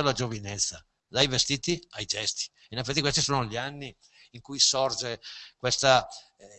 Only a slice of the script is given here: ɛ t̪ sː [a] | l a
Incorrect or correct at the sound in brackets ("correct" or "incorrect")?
correct